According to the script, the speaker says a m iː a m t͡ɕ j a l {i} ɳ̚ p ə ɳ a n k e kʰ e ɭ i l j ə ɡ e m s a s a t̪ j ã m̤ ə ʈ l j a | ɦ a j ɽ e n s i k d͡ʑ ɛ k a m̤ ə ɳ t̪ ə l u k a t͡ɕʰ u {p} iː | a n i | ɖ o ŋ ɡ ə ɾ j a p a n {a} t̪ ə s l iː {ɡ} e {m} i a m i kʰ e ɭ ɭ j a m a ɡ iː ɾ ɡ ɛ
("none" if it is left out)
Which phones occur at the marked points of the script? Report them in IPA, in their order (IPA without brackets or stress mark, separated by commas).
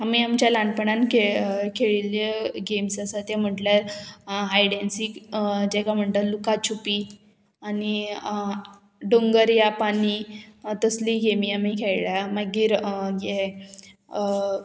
a, p, i, ɡ, m